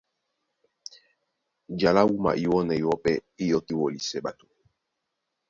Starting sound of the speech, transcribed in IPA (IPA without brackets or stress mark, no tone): d͡ʒ